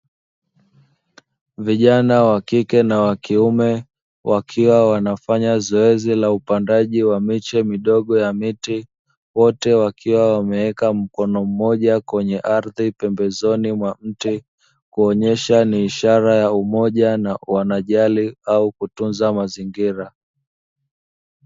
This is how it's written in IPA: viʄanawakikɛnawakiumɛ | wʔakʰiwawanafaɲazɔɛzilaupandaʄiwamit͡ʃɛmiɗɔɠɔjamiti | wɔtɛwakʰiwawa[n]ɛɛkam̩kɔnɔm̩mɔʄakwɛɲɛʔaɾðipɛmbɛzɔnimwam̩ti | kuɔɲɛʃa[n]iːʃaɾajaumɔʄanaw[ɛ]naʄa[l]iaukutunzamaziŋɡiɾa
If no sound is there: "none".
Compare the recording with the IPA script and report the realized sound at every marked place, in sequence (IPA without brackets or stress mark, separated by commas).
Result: m, n, a, l